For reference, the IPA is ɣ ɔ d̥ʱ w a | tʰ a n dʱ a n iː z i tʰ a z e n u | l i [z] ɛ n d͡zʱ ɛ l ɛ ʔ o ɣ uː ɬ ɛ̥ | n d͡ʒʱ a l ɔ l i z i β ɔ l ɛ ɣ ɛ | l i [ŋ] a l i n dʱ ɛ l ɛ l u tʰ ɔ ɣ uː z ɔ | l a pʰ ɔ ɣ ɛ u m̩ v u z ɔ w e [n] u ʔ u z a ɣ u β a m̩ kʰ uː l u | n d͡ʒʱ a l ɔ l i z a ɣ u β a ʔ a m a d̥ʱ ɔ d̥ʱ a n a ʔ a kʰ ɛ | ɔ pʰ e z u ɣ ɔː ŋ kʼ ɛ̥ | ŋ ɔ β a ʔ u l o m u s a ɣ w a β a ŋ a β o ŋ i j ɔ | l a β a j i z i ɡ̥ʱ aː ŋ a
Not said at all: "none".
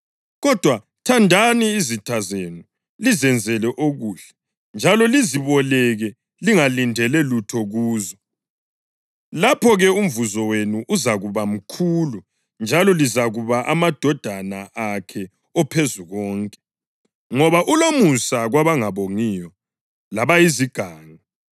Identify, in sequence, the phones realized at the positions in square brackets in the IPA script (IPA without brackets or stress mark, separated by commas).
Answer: z, ŋ, n